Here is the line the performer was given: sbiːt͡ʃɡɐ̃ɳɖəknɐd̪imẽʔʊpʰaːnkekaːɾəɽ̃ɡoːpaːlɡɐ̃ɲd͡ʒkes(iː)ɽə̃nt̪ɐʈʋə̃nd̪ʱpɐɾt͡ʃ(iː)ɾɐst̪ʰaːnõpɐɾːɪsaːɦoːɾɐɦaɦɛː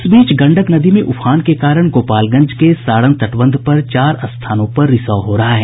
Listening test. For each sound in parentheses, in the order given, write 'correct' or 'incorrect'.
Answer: incorrect: aː, incorrect: aː

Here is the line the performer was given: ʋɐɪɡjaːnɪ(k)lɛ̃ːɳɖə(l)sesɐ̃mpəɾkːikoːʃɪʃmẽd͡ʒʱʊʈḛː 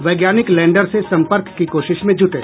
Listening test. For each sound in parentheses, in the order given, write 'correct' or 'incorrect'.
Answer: correct, incorrect: ɾ

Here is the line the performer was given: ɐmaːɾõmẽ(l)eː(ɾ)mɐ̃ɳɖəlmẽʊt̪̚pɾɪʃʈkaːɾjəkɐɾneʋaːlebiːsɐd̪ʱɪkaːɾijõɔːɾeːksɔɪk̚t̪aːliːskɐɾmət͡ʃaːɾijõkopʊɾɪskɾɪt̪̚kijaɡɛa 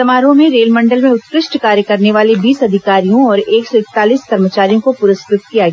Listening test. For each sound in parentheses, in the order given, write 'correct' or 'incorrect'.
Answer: incorrect: ɾ, incorrect: l

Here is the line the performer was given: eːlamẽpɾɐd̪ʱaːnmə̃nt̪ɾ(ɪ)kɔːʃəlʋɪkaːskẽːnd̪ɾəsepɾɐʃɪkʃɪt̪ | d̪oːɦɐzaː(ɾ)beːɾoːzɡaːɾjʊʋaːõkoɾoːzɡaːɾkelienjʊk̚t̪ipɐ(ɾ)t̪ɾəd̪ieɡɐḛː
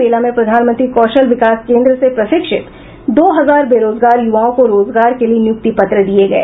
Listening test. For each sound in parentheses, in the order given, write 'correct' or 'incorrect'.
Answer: incorrect: i, correct, incorrect: none

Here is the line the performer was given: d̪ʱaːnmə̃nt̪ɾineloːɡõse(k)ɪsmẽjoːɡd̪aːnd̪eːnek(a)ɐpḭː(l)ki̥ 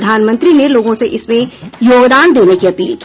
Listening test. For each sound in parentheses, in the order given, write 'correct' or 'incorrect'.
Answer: incorrect: ʔ, incorrect: i, correct

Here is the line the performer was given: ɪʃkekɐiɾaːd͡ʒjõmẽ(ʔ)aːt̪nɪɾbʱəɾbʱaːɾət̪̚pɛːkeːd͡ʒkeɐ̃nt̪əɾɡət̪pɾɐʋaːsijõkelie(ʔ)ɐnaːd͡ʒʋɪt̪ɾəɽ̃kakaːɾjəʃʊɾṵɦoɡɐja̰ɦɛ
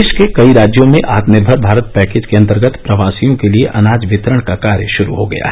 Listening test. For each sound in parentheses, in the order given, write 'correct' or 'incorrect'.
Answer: correct, correct

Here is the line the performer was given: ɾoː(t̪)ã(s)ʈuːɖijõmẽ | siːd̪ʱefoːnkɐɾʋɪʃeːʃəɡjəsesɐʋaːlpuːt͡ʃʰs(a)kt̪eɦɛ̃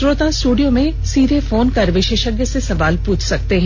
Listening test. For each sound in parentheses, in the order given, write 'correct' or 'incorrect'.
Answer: correct, correct, incorrect: ɐ

